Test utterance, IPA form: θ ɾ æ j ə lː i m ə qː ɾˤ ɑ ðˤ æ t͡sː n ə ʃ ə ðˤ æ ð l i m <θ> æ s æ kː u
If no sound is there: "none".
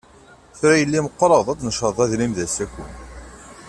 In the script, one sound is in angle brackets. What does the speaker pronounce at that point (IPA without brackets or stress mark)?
ð